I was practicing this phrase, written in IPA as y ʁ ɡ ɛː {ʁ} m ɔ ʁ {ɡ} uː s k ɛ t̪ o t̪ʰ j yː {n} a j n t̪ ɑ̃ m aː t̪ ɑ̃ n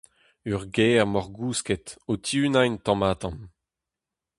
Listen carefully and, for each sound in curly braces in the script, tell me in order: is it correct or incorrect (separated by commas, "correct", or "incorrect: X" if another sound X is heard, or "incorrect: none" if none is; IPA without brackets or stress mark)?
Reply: correct, correct, correct